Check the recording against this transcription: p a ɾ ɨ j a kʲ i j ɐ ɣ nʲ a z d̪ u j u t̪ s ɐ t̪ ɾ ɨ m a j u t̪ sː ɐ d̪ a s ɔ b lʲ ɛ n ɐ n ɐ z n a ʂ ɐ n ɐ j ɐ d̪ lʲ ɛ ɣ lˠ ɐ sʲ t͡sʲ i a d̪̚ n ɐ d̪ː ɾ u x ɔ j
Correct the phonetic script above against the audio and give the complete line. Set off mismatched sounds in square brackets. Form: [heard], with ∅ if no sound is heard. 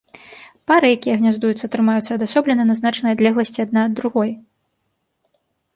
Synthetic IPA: p a ɾ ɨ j a kʲ i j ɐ ɣ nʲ a z d̪ u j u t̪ s ɐ t̪ ɾ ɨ m a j u t̪ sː ɐ d̪ a s ɔ b lʲ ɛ n ɐ n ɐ z n a [t͡ʂ] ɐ n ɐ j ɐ d̪ lʲ ɛ ɣ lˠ ɐ sʲ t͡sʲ i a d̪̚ n [a] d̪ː ɾ u [ɣ] ɔ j